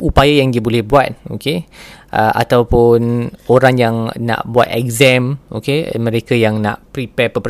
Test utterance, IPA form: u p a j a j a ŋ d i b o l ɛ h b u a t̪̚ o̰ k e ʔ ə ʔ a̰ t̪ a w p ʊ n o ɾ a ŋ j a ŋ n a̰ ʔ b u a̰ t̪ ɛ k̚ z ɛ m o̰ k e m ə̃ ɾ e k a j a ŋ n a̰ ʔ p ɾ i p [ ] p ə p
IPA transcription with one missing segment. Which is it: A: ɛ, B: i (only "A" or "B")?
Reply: A